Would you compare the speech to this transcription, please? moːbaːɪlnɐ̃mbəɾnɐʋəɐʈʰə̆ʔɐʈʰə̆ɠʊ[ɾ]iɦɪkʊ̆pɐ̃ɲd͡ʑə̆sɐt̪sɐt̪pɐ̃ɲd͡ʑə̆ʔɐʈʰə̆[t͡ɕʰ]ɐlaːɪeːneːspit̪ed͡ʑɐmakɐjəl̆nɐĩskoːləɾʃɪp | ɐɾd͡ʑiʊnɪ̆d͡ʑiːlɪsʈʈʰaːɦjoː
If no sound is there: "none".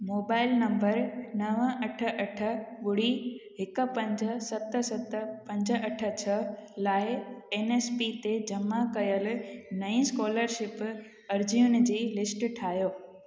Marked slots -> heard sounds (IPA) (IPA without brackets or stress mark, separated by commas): ɽ, t͡ɕʰ